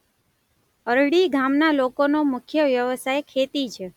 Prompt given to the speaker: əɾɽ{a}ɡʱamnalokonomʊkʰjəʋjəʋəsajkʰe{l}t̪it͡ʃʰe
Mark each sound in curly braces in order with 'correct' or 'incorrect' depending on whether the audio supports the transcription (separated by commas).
incorrect, incorrect